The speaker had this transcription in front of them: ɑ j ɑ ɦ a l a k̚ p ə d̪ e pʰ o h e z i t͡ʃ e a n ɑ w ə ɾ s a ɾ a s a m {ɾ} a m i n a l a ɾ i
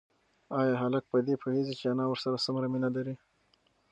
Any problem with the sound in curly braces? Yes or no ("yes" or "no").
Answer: no